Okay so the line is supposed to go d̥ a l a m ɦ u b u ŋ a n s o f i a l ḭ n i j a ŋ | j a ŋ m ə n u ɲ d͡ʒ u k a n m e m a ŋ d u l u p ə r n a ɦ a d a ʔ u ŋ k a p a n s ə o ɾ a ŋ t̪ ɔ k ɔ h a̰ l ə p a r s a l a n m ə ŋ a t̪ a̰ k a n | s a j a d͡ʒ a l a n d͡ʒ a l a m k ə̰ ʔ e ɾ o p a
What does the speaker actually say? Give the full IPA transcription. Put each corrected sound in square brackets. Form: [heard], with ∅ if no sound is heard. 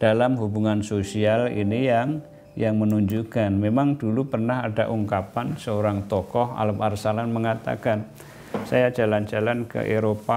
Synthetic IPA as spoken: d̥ a l a m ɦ u b u ŋ a n s o [s] i a l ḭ n i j a ŋ | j a ŋ m ə n u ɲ d͡ʒ u k a n m e m a ŋ d u l u p ə r n a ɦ a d a ʔ u ŋ k a p a n s ə o ɾ a ŋ t̪ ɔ k ɔ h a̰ l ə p a r s a l a n m ə ŋ a t̪ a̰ k a n | s a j a d͡ʒ a l a n d͡ʒ a l a [n] k ə̰ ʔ e ɾ o p a

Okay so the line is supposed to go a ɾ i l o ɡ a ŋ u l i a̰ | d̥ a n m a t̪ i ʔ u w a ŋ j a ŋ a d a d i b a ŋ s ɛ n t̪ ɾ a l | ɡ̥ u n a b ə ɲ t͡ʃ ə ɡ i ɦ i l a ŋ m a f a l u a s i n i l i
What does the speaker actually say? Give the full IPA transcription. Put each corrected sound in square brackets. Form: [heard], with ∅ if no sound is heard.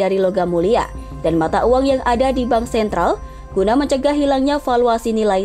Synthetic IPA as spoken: a ɾ i l o ɡ a [m] u l i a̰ | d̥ a n m a t̪ [a] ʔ u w a ŋ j a ŋ a d a d i b a ŋ s ɛ n t̪ ɾ a l | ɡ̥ u n a [m] ə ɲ t͡ʃ ə ɡ [a] ɦ i l a ŋ [ɲ] a f a l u a s i n i l [a]

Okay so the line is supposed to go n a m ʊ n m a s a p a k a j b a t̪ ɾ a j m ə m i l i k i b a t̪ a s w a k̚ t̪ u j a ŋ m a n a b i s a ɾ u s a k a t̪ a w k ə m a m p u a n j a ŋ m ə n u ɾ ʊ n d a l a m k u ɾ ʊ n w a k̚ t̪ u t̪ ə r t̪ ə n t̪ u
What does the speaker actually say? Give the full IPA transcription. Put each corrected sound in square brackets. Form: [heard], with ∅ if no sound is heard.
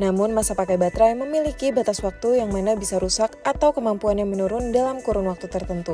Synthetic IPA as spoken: n a m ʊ n m a s a p a k a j b a t̪ ɾ a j m ə m i l i k i b a t̪ a s w a k̚ t̪ u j a ŋ m a n a b i s a ɾ u s a k a t̪ a w k ə m a m p u a n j a ŋ m ə n u ɾ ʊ n d a l a m k u ɾ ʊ n w a k̚ t̪ u t̪ ə r t̪ ə n t̪ u

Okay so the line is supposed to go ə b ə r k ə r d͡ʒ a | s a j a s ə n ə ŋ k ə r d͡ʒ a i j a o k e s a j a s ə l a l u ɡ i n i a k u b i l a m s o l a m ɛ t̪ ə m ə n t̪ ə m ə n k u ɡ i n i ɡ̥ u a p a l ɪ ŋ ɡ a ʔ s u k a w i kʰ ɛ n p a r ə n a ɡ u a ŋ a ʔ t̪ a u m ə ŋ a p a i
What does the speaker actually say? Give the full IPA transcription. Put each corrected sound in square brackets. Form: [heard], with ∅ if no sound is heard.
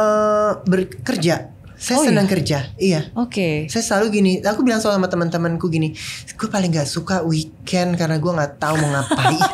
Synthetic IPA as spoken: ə b ə r k ə r d͡ʒ a | s a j a s ə n ə ŋ k ə r d͡ʒ a i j a o k e s a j a s ə l a l u ɡ i n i a k u b i l a [ŋ] s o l a m [a] t̪ ə m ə n t̪ ə m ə n k u ɡ i n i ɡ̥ u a p a l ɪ ŋ ɡ a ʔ s u k a w i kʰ ɛ n [k] a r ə n a ɡ u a ŋ a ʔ t̪ a u m ə ŋ a p a i

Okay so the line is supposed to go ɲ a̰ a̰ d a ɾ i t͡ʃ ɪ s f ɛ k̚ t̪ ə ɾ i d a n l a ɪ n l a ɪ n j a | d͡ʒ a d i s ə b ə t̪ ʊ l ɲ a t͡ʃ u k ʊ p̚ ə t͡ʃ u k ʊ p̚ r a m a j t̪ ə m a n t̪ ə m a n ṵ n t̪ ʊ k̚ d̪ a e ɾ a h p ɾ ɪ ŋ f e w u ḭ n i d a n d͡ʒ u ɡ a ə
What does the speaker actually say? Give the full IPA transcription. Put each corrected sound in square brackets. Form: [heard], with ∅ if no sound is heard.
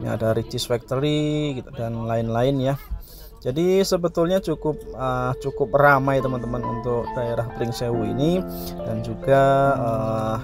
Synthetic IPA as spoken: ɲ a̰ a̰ d a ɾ i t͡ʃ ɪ s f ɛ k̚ t̪ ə ɾ i d a n l a ɪ n l a ɪ n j a | d͡ʒ a d i s ə b ə t̪ ʊ l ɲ a t͡ʃ u k ʊ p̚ ə t͡ʃ u k ʊ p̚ r a m a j t̪ ə m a n t̪ ə m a n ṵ n t̪ ʊ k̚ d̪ a e ɾ a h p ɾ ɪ ŋ [s] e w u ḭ n i d a n d͡ʒ u ɡ a ə

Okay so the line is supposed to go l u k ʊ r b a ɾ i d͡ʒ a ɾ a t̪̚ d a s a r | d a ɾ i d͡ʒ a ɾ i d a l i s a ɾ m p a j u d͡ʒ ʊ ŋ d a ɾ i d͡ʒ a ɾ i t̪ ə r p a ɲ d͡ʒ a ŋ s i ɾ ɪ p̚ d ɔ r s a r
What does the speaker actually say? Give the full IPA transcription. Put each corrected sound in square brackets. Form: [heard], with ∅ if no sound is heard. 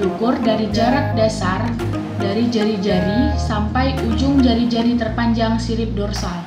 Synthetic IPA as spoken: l u k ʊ r [d] a ɾ i d͡ʒ a ɾ a t̪̚ d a s a r | d a ɾ i d͡ʒ a ɾ i [d͡ʒ] a [ɾ] i s a [∅] m p a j u d͡ʒ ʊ ŋ [d͡ʒ] a ɾ i d͡ʒ a ɾ i t̪ ə r p a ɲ d͡ʒ a ŋ s i ɾ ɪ p̚ d ɔ r s a [l]

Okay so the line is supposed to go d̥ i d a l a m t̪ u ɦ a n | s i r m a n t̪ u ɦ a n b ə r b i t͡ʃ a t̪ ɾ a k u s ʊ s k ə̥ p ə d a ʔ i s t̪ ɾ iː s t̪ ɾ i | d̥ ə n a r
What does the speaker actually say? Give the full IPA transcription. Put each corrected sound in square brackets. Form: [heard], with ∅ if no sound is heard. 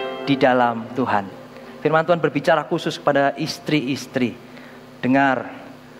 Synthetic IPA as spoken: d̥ i d a l a m t̪ u ɦ a n | [f] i r m a n t̪ u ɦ a n b ə r b i t͡ʃ a [∅] ɾ a k u s ʊ s k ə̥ p [a] d a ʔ i s t̪ ɾ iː s t̪ ɾ i | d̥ ə [ŋ] a r

